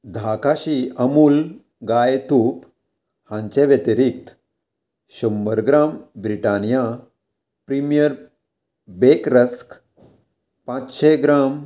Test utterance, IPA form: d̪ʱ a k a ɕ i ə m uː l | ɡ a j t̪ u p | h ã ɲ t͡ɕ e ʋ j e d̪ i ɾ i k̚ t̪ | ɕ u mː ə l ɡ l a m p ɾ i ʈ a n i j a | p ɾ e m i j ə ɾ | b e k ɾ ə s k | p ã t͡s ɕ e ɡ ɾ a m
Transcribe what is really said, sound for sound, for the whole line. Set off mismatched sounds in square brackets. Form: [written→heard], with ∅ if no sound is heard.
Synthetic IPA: d̪ʱ a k a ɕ i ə m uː l | ɡ a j t̪ u p | h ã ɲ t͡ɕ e ʋ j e [d̪→t̪] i ɾ i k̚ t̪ | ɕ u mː ə [l→ɾ] ɡ [l→ɾ] a m [p→b] ɾ i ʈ a n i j a | p ɾ [e→i] m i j ə ɾ | b e k ɾ ə s k | p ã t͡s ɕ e ɡ ɾ a m